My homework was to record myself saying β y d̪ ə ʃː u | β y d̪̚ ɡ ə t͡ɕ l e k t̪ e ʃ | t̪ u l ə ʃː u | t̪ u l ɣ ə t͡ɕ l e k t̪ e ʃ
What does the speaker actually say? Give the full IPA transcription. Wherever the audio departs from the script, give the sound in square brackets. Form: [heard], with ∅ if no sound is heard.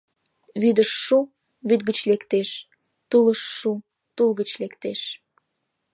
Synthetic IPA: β y d̪ ə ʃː u | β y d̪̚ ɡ ə t͡ɕ l e k t̪ e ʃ | t̪ u l ə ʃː u | t̪ u l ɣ ə t͡ɕ l e k t̪ e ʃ